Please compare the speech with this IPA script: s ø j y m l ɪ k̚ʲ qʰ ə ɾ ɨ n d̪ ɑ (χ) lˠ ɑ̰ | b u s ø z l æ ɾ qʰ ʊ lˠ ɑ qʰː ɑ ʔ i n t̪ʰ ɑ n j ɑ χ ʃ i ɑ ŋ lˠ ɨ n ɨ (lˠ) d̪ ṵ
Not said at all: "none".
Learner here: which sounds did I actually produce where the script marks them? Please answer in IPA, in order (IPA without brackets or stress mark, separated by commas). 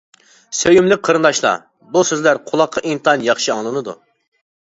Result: ʃ, none